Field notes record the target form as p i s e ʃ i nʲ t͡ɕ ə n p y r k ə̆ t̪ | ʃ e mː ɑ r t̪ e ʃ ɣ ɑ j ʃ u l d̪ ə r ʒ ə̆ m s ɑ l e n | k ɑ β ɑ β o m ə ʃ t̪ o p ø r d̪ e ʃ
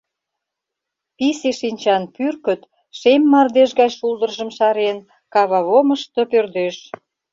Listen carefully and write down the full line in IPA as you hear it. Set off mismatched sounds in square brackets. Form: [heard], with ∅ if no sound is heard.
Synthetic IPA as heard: p i s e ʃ i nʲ t͡ɕ [ɑ] n p y r k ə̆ t̪ | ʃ e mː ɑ r [d̪] e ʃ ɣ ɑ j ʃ u l d̪ ə r ʒ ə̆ m [ʃ] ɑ [ɾ] e n | k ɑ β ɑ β o m ə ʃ t̪ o p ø r d̪ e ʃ

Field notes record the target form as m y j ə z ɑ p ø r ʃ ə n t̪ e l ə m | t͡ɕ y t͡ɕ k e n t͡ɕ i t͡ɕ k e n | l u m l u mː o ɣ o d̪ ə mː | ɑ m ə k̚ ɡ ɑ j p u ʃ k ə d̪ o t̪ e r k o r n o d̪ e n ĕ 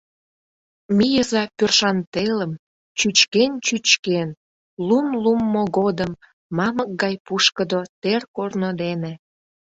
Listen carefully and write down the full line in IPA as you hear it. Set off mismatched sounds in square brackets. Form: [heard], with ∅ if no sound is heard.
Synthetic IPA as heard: m [i] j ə z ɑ p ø r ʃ [ɑ] n t̪ e l ə m | t͡ɕ y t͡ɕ k e n t͡ɕ [y] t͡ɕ k e n | l u m l u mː o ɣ o d̪ ə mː | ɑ m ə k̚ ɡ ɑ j p u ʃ k ə d̪ o t̪ e r k o r n o d̪ e n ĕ

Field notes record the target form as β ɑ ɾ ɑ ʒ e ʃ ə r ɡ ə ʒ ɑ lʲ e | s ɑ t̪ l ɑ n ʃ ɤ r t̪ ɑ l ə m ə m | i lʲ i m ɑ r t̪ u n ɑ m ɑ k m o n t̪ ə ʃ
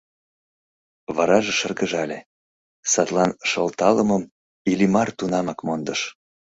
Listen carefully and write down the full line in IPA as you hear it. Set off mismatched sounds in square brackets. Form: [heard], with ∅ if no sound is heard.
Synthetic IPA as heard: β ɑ ɾ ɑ ʒ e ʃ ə r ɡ ə ʒ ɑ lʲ e | s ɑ t̪ l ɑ n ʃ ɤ [l] t̪ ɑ l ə m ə m | i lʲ i m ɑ r t̪ u n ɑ m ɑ k m o n [d̪] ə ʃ

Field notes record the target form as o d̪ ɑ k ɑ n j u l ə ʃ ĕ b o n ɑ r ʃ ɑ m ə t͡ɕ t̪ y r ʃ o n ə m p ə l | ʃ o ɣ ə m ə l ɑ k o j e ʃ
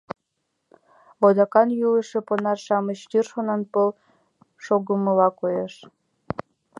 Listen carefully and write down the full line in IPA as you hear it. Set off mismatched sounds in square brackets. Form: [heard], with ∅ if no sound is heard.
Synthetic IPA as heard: o d̪ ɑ k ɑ n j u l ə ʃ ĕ [p] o n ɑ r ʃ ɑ m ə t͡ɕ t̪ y r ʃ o n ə [n] p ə l | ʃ o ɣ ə m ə l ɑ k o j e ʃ

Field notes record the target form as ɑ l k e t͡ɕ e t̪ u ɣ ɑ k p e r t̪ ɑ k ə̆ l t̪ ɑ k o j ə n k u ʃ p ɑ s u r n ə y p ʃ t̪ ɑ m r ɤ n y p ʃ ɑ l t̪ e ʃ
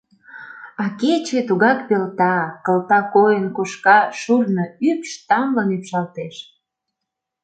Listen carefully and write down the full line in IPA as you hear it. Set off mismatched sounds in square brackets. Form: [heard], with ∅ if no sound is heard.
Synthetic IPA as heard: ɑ [∅] k e t͡ɕ e t̪ u ɣ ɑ k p e [l] t̪ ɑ k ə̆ l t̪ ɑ k o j ə n k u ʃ [k] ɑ [ʃ] u r n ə y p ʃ t̪ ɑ m [l] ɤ n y p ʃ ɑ l t̪ e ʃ

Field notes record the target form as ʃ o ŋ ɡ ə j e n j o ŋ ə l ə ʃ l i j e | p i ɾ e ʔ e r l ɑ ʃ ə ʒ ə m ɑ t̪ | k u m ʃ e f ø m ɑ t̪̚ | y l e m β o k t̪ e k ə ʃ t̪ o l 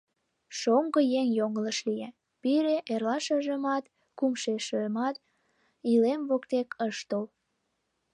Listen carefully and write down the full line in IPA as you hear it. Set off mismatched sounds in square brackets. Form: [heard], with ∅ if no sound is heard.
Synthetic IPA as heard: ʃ o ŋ ɡ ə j e [ŋ] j o ŋ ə l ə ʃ l i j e | p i ɾ e ʔ e r l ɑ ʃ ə ʒ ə m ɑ t̪ | k u m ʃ e [ʃ] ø m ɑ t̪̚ | [i] l e m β o k t̪ e k ə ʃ t̪ o l

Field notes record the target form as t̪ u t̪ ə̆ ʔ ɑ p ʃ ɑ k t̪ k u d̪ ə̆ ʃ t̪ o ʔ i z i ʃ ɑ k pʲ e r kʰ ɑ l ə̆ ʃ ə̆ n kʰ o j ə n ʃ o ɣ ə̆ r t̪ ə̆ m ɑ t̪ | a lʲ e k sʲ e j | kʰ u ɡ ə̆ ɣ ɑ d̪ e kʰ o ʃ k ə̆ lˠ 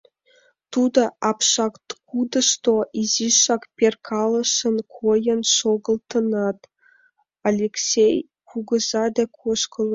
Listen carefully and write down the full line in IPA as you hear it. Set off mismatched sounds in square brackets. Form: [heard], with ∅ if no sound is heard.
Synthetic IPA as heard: t̪ u [d̪] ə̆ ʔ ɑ p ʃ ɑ k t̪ k u d̪ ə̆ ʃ t̪ o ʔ i z i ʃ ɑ k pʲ e r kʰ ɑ l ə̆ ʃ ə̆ n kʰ o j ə n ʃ o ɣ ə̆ [l] t̪ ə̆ [n] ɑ t̪ | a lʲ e k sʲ e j | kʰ u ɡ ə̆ [z] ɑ d̪ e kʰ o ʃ k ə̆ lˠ

